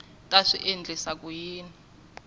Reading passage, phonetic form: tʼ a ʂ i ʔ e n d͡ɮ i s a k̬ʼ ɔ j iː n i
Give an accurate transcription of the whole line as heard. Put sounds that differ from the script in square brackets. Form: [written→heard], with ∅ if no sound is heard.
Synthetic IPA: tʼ a ʂ i ʔ e n d͡ɮ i s a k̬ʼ [ɔ→u] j iː n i